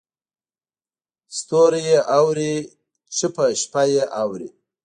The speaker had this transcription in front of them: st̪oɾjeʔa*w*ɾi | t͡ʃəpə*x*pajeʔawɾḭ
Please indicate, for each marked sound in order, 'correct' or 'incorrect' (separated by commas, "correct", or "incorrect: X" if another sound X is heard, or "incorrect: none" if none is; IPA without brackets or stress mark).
correct, incorrect: ʃ